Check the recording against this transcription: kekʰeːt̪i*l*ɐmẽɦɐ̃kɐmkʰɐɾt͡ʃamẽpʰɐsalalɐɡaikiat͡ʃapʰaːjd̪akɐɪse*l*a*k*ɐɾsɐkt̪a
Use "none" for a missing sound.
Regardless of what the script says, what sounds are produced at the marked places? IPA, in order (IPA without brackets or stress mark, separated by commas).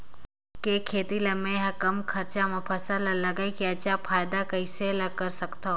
l, l, k